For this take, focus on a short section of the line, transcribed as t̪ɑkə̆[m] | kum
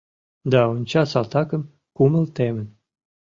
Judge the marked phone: correct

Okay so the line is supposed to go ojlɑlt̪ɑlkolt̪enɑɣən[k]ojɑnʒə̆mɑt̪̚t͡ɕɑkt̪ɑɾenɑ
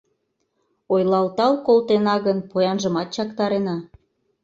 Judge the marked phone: incorrect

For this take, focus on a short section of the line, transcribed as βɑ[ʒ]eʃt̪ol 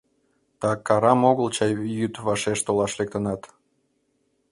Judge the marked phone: incorrect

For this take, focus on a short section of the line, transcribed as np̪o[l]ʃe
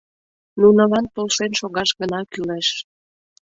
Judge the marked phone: correct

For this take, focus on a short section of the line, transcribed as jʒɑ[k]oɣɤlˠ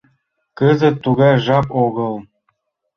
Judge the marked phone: incorrect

